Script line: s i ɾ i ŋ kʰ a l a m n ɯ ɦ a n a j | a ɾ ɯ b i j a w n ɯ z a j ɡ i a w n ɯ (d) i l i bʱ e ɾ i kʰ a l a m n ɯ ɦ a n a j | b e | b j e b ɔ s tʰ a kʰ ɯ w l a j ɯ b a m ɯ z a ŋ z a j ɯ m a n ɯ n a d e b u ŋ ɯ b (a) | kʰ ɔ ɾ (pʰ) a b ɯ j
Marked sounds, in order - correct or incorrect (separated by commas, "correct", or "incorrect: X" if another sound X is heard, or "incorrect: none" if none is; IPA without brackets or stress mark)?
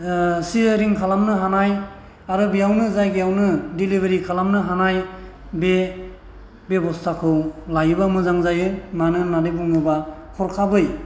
correct, correct, incorrect: kʰ